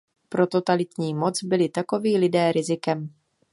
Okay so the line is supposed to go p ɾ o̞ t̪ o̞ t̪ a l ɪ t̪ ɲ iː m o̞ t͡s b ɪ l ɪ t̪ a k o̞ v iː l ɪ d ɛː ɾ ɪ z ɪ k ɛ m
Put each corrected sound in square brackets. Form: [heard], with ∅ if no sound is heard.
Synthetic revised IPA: p ɾ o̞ t̪ o̞ t̪ a l ɪ t̪ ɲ iː m o̞ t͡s b ɪ l ɪ t̪ a k o̞ v iː l ɪ d ɛː ɾ ɪ z ɪ k ɛ m